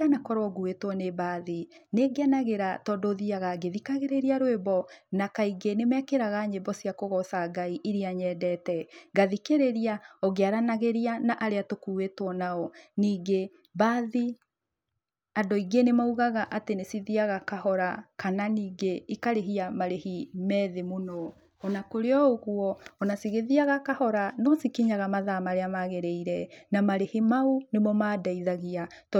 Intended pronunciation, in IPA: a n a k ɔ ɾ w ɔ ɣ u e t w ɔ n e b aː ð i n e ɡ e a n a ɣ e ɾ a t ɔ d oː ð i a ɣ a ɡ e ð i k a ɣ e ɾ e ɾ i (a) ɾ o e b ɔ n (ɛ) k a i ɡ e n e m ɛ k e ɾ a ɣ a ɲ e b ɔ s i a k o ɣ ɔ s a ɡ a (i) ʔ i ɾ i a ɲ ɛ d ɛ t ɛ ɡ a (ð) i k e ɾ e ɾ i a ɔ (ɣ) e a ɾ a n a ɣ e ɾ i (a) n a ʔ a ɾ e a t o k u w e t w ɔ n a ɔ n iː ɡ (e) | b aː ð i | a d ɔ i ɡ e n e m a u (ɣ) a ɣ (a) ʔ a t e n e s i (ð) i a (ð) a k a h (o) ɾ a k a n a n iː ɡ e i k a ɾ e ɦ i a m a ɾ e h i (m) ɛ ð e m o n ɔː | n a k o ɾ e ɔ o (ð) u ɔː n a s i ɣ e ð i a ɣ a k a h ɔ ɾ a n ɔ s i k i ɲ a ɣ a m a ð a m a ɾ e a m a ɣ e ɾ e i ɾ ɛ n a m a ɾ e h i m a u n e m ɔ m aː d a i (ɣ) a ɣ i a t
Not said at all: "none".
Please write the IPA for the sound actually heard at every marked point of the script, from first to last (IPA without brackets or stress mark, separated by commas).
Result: a, a, i, ð, ɣ, a, e, ɣ, a, ð, ɣ, ɔ, m, ɣ, ð